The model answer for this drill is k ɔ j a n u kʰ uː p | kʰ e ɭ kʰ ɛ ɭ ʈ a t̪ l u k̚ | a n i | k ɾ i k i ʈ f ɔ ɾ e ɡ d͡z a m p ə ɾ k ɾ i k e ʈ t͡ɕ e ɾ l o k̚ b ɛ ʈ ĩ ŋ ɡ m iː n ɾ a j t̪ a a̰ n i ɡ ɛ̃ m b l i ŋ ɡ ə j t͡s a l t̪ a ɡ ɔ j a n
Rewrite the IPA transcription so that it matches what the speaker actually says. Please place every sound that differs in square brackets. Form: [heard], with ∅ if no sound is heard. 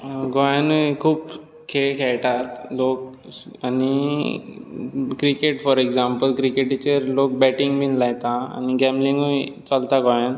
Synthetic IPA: [ɡ] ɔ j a n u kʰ uː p | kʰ e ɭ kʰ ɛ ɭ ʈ a t̪ l [o] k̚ | a n i | k ɾ i k [e] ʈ f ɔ ɾ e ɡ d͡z a m p ə [l] k ɾ i k e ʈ t͡ɕ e ɾ l o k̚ b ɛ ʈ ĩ ŋ ɡ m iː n [l] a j t̪ a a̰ n i ɡ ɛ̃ m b l i ŋ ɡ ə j t͡s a l t̪ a ɡ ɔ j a n